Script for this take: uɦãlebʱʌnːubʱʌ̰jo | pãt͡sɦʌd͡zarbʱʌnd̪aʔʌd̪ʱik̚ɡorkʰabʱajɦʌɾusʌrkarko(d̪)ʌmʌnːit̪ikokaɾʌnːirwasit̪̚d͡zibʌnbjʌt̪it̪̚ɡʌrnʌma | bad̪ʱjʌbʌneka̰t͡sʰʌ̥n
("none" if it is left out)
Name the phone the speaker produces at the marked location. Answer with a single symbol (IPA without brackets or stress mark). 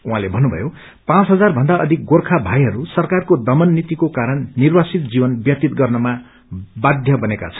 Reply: d̪